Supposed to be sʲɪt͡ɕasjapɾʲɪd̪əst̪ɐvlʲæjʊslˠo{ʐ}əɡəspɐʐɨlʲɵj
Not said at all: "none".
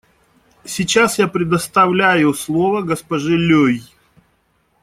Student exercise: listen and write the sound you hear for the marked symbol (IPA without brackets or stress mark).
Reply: v